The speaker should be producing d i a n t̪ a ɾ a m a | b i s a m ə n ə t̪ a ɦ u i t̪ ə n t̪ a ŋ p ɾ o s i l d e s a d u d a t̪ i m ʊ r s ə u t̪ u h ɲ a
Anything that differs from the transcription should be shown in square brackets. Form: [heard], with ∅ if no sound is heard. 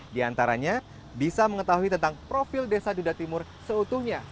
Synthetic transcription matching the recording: d i a n t̪ a ɾ a [ɲ] a | b i s a m ə [ŋ] ə t̪ a ɦ u i t̪ ə n t̪ a ŋ p ɾ o [f] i l d e s a d u d a t̪ i m ʊ r s ə u t̪ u h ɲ a